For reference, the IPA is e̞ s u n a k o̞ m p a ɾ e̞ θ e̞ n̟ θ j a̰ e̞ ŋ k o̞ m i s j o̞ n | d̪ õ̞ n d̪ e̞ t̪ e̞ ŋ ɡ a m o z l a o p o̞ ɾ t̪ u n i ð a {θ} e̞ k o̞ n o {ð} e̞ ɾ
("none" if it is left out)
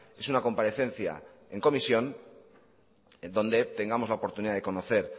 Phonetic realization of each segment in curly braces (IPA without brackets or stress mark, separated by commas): ð, θ